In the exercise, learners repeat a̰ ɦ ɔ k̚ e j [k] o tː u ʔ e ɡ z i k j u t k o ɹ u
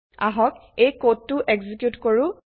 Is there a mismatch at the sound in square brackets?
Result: no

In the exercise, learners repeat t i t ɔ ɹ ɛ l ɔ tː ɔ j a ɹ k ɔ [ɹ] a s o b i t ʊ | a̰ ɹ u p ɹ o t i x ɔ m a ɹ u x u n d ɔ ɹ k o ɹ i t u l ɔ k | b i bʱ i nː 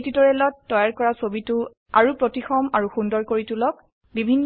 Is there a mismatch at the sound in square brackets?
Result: no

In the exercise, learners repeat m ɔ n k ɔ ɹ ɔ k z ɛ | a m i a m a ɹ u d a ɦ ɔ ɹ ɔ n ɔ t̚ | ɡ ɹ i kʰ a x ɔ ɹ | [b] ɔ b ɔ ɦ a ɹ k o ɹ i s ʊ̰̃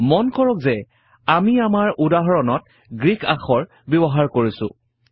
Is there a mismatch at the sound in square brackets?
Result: no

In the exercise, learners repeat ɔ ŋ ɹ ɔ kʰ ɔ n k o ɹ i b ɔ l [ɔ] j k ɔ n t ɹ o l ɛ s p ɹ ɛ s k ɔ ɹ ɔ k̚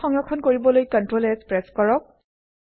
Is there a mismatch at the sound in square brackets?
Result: yes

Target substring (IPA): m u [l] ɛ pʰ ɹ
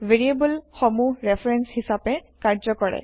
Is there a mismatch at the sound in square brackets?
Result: yes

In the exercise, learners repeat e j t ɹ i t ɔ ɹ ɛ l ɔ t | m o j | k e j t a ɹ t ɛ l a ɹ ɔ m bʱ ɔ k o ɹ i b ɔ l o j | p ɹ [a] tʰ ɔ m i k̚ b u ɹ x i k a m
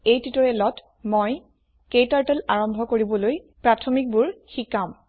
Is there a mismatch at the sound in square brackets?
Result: no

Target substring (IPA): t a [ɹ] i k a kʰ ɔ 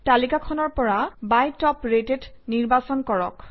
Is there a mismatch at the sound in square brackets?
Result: yes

